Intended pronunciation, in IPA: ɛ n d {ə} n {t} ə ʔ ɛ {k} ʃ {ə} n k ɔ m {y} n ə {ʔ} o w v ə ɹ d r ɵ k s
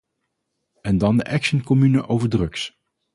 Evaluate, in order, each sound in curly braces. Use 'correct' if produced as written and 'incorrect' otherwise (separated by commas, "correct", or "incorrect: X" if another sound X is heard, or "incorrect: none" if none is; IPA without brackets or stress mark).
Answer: incorrect: ɑ, incorrect: d, correct, correct, correct, correct